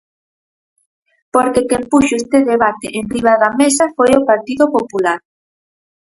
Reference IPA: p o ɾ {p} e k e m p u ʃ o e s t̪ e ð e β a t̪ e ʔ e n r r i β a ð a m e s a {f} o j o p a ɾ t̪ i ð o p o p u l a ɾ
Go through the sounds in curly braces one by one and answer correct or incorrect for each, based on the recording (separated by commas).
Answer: incorrect, correct